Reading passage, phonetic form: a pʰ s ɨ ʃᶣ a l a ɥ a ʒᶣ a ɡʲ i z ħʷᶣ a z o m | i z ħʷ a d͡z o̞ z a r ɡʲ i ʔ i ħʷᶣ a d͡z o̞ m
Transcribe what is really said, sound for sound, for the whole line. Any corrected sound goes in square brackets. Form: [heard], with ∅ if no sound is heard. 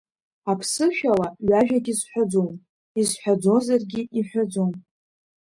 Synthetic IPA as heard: a pʰ s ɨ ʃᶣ a l a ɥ a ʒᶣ a ɡʲ i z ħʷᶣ a [d͡z] o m | i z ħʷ a d͡z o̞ z a r ɡʲ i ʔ i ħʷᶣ a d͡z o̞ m